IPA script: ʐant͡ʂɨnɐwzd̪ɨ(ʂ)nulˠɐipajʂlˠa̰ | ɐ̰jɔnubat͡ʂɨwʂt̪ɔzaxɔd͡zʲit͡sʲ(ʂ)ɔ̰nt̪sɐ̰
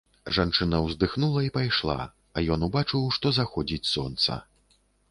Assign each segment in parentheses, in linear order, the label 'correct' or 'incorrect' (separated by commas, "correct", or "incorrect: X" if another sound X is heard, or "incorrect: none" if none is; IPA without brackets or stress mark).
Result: incorrect: x, incorrect: s